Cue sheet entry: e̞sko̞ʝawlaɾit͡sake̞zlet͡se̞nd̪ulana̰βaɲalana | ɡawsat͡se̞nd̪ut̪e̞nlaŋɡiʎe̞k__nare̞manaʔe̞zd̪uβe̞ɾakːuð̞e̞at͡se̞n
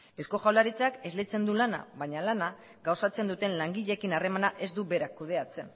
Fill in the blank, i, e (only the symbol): i